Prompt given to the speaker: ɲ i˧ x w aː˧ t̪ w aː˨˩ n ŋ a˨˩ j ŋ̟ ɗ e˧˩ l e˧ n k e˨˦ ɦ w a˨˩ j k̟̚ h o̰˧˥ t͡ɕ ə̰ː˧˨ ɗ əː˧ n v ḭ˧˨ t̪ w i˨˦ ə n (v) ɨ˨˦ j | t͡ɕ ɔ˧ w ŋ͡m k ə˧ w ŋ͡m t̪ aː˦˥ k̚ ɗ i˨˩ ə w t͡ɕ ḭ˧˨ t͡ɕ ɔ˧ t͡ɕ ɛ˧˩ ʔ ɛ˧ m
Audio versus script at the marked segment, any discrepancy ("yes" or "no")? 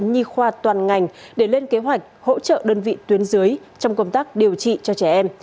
yes